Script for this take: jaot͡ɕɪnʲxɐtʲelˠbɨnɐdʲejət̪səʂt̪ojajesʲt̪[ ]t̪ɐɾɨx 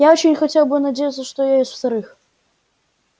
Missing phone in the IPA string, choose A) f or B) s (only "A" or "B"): A